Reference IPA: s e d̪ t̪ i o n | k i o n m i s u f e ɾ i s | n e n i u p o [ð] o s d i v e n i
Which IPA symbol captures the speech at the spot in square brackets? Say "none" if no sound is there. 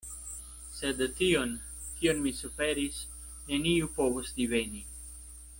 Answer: v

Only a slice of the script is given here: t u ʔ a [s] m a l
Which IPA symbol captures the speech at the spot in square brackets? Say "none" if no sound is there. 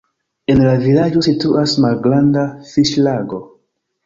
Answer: s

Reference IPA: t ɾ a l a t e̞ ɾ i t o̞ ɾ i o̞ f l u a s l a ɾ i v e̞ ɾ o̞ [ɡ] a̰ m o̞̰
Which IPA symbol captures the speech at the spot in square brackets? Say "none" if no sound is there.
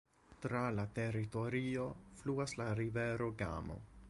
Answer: ɡ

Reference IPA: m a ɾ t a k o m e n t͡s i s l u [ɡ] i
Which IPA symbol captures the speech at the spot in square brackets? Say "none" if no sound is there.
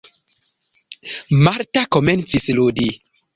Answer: d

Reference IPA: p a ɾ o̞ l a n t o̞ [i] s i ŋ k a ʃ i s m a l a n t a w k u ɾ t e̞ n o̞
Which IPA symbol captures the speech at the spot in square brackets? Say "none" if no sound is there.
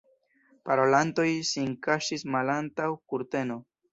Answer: j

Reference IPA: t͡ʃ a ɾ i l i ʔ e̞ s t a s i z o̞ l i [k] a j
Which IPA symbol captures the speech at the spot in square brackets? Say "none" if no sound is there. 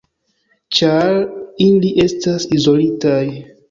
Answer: t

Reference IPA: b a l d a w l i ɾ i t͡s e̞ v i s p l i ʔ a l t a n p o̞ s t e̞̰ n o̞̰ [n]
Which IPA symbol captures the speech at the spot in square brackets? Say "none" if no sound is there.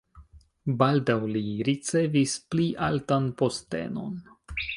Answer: n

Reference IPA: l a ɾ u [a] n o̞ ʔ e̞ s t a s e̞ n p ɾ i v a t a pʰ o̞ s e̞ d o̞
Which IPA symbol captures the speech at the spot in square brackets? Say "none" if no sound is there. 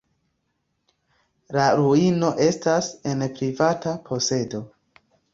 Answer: i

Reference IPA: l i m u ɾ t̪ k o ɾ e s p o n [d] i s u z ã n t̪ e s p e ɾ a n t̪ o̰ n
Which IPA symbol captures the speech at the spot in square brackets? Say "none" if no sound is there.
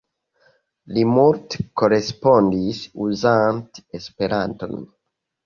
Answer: d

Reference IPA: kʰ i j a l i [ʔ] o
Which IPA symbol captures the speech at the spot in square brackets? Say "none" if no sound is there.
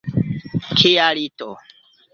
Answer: t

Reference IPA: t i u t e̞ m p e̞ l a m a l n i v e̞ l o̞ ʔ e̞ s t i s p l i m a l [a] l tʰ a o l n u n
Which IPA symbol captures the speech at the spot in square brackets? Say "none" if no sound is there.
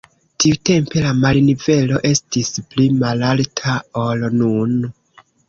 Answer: a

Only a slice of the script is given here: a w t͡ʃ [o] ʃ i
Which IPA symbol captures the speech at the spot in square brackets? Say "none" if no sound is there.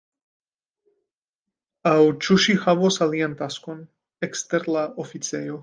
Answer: u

